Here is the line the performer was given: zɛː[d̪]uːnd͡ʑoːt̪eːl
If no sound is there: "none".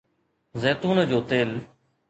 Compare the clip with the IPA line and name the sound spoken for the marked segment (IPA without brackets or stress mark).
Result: t̪